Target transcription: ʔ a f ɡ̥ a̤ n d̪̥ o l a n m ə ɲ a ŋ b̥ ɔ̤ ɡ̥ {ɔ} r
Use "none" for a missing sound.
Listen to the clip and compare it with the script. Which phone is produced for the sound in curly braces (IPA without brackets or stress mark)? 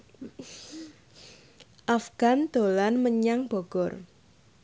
ɔ